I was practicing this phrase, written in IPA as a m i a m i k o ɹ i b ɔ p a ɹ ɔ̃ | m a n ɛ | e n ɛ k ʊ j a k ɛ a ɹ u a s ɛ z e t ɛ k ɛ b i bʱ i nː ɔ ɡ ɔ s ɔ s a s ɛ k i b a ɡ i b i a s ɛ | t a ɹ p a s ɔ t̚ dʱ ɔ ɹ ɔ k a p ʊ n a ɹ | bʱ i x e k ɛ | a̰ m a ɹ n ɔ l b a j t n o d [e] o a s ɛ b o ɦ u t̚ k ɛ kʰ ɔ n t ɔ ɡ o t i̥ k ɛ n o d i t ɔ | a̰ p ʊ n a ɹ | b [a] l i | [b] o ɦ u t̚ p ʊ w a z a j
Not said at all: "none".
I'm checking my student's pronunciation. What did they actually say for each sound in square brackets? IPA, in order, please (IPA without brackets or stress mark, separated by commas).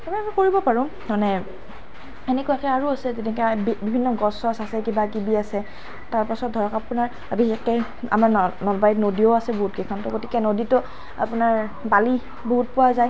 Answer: i, a, b